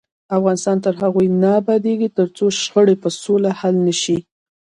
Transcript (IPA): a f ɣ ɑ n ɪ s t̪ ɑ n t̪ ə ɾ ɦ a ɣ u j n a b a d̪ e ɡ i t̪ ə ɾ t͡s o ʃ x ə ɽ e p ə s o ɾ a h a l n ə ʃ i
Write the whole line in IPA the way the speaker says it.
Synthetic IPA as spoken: a f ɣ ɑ n ɪ s t̪ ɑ n t̪ ə ɾ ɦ a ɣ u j n a b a d̪ e ɡ i t̪ ə ɾ t͡s o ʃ x ə ɽ e p ə s o l a h a l n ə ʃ i